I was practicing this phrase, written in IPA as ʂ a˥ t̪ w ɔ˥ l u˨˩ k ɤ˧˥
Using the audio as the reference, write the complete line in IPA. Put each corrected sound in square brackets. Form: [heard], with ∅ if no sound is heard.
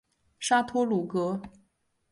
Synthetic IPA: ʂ a˥ [t̪ʰ] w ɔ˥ l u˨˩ k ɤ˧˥